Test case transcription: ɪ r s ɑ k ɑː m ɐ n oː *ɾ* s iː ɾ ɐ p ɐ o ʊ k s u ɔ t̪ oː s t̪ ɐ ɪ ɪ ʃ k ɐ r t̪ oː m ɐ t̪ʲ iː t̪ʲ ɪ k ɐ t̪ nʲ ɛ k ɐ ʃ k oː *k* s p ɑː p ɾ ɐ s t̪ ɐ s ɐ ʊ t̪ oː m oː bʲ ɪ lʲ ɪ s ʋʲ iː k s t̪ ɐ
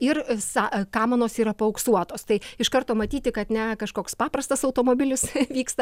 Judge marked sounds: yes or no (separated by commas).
no, yes